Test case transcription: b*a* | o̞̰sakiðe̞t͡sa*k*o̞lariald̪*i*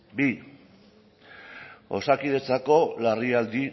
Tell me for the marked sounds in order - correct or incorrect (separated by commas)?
incorrect, correct, correct